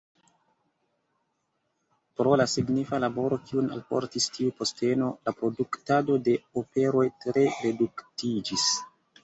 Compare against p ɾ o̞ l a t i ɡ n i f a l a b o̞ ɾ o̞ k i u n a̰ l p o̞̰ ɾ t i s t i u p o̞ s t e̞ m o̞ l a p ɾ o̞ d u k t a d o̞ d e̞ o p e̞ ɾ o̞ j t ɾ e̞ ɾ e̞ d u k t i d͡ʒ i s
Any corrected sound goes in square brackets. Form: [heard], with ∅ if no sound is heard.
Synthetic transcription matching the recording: p ɾ o̞ l a [s] i ɡ n i f a l a b o̞ ɾ o̞ k i u n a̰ l p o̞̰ ɾ t i s t i u p o̞ s t e̞ [n] o̞ l a p ɾ o̞ d u k t a d o̞ d e̞ o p e̞ ɾ o̞ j t ɾ e̞ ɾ e̞ d u k t i d͡ʒ i s